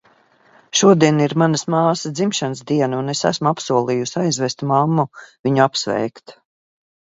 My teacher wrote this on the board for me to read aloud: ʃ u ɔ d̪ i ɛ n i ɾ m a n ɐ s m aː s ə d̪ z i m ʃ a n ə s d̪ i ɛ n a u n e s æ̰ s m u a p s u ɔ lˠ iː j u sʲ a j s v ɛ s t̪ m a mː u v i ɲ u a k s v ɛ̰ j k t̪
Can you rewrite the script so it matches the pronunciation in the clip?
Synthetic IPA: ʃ u ɔ d̪ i ɛ n i ɾ m a n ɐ s m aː s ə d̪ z i m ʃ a n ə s d̪ i ɛ n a u n e s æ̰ s m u a p s u ɔ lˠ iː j u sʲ a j z v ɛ s t̪ m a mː u v i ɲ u a p s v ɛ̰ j k t̪